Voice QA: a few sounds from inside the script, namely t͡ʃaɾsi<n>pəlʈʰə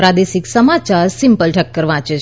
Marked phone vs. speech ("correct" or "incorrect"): incorrect